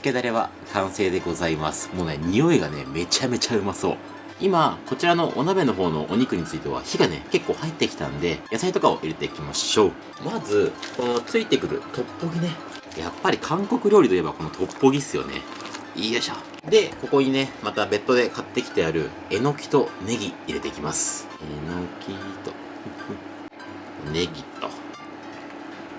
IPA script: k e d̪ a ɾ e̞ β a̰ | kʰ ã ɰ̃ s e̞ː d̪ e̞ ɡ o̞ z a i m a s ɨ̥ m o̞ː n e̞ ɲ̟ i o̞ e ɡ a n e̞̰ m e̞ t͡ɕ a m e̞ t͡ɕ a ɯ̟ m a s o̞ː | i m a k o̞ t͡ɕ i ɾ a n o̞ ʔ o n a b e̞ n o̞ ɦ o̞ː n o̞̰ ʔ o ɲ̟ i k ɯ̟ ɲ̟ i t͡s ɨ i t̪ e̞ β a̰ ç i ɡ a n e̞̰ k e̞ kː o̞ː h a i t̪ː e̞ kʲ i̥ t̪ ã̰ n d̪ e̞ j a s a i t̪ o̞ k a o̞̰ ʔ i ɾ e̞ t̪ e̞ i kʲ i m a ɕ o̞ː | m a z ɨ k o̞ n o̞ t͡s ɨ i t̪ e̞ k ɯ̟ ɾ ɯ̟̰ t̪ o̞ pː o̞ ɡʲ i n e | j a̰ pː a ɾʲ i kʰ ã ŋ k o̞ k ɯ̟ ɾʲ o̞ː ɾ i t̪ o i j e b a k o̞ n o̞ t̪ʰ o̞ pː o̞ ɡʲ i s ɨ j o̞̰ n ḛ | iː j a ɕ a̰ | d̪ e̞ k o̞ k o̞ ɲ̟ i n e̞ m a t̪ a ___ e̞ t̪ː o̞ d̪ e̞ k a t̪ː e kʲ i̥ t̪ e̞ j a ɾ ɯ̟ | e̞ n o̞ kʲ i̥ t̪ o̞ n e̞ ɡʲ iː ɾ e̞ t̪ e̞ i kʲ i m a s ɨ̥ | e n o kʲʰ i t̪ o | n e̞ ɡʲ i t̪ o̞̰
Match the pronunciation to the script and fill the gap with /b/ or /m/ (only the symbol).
b